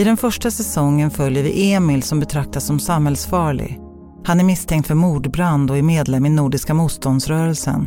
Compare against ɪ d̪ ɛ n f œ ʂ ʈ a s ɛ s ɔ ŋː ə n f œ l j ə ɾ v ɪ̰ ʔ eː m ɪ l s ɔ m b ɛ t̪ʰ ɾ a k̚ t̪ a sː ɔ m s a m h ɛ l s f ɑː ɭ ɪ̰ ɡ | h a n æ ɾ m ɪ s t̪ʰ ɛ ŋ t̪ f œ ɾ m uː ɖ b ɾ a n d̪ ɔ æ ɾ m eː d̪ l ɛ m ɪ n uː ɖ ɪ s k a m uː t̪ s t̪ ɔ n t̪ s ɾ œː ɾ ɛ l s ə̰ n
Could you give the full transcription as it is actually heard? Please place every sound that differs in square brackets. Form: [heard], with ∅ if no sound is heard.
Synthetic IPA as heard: ɪ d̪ ɛ n f œ ʂ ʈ a s ɛ s ɔ ŋː ə n f œ l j ə ɾ v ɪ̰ ʔ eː m ɪ l s ɔ m b ɛ t̪ʰ ɾ a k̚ t̪ a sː ɔ m s a m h ɛ l s f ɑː ɭ ɪ̰ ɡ | h a n æ ɾ m ɪ s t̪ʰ ɛ ŋ t̪ f œ ɾ m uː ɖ b ɾ a n d̪ ɔ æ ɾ m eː d̪ l ɛ m ɪ n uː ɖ ɪ s k a m uː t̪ s t̪ ɔ n [d̪] s ɾ œː ɾ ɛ l s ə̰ n